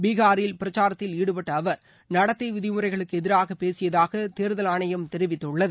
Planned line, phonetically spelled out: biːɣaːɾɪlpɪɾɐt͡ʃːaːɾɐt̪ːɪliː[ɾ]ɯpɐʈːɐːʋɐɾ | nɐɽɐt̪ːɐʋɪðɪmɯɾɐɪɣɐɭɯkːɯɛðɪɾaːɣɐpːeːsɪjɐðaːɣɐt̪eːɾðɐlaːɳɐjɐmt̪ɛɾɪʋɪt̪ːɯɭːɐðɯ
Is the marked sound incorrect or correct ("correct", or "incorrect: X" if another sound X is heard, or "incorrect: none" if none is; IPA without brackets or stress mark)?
incorrect: ɽ